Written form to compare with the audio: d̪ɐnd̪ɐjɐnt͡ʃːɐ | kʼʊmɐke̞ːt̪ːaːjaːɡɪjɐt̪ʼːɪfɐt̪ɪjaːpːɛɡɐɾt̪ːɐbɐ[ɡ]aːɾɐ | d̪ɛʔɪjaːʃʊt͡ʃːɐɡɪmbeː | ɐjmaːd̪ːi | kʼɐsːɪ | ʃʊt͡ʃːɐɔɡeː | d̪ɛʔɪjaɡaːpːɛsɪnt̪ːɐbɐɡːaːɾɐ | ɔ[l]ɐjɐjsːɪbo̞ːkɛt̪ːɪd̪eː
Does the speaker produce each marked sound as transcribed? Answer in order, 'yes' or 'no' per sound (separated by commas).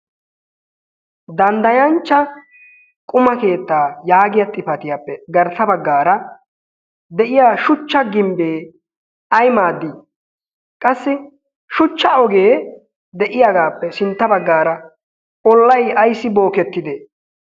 no, no